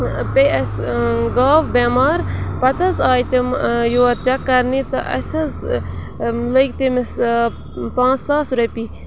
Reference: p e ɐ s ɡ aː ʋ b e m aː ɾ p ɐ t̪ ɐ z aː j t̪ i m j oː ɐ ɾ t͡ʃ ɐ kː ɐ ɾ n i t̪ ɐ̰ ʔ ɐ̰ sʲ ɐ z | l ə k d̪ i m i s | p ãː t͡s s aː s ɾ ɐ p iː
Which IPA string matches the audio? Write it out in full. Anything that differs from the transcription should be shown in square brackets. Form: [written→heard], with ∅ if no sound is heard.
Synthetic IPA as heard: p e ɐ s ɡ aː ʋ b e m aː ɾ p ɐ t̪ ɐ z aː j t̪ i m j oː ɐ ɾ t͡ʃ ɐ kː ɐ ɾ n i t̪ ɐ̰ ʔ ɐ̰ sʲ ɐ z | l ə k [d̪→t̪] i m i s | p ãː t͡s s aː s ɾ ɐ p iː